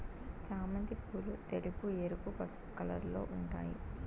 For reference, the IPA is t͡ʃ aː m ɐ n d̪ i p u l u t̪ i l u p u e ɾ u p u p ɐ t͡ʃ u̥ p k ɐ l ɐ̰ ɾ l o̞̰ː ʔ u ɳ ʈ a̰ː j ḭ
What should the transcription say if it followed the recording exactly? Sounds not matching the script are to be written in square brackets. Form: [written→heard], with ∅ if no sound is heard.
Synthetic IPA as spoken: t͡ʃ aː m ɐ n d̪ i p u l u t̪ [i→e] l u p u e ɾ u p u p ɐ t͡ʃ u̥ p k ɐ l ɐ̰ ɾ l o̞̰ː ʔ u ɳ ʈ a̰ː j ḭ